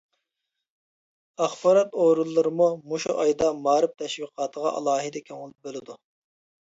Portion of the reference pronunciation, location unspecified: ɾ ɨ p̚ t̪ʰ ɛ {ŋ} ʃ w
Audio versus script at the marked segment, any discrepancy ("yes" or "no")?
yes